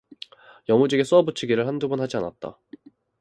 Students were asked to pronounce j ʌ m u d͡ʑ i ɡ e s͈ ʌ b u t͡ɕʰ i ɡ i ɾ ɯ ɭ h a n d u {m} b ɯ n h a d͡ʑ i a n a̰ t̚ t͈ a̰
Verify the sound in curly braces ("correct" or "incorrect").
incorrect